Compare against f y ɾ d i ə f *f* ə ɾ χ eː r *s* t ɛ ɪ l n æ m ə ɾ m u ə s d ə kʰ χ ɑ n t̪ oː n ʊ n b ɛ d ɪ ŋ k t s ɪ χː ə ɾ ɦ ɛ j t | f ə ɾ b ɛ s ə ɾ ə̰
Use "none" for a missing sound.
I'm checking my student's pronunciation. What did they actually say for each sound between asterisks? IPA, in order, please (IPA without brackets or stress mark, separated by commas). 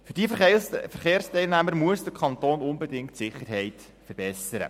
f, s